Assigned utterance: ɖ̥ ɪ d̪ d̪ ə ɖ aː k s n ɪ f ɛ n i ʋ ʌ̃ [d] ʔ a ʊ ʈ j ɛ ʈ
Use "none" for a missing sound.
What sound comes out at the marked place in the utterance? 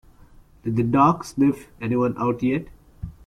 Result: n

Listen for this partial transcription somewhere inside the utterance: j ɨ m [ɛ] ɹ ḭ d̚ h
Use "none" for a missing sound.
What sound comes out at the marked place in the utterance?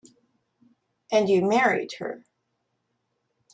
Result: ɛ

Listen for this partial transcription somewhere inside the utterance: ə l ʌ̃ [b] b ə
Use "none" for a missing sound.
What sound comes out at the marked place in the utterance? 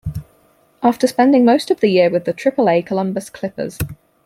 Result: m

